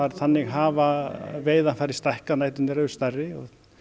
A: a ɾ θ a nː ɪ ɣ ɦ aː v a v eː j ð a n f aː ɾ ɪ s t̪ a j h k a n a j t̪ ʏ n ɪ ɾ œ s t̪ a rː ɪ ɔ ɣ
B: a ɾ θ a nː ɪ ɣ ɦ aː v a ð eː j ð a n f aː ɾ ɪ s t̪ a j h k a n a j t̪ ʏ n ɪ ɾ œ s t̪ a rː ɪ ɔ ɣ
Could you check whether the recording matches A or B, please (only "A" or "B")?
A